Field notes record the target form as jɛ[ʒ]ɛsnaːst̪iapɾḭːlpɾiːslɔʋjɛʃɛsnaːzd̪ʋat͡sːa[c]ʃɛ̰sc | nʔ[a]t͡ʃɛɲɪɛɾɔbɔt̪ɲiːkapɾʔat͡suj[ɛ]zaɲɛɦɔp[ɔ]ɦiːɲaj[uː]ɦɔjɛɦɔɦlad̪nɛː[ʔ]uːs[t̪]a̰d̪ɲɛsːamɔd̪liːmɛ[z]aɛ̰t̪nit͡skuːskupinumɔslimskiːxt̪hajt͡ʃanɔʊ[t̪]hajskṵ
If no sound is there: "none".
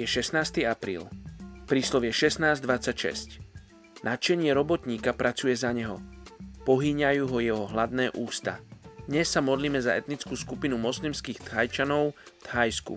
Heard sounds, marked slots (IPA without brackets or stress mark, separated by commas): ʃ, c, a, ɛ, ɔ, uː, ʔ, t̪, z, t̪